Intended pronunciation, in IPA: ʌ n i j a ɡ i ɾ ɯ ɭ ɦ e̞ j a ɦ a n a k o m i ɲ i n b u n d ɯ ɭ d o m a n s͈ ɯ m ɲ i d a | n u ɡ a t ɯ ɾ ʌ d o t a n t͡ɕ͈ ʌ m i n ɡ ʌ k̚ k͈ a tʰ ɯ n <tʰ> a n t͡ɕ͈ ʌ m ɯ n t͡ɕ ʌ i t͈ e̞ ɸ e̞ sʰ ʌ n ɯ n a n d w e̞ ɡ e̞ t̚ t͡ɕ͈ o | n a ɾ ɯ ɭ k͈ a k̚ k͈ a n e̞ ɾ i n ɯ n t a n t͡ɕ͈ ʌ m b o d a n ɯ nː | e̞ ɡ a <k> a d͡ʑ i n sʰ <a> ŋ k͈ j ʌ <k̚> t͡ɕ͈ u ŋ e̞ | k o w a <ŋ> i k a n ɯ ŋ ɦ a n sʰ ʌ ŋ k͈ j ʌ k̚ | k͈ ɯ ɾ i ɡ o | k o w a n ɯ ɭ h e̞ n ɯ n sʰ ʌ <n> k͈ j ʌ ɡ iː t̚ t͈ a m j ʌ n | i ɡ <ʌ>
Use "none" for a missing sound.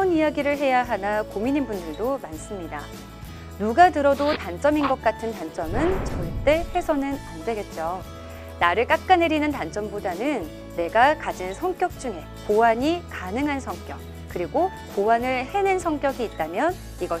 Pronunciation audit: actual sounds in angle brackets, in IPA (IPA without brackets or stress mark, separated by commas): t, k, ʌ, k̚, ɲ, ŋ, ʌ